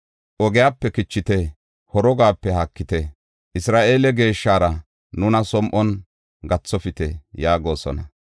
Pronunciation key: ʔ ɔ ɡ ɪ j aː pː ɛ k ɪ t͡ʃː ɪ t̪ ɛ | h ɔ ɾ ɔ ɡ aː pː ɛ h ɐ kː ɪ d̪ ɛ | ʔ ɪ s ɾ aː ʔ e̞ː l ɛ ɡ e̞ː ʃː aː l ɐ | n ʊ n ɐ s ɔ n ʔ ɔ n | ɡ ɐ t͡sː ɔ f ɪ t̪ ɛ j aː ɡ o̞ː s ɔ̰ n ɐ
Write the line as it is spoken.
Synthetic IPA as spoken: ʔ ɔ ɡ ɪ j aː pː ɛ k ɪ t͡ʃː ɪ t̪ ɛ | h ɔ ɾ ɔ ɡ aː pː ɛ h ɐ kː ɪ t̪ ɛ | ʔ ɪ s ɾ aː ʔ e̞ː l ɛ ɡ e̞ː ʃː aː ɾ ɐ | n ʊ n ɐ s ɔ m ʔ ɔ n | ɡ ɐ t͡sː ɔ f ɪ t̪ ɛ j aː ɡ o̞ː s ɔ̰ n ɐ